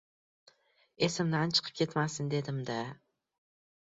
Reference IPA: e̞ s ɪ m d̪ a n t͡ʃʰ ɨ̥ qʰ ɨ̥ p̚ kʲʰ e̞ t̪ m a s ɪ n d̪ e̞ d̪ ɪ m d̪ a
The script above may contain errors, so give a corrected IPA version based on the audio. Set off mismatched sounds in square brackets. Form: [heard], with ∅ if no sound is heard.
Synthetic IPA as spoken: e̞ s ɪ m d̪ a n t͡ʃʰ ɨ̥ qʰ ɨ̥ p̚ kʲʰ e̞ t̪ m a s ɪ n d̪ e̞ d̪ ɪ m d̪ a